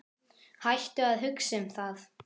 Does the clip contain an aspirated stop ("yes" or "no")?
no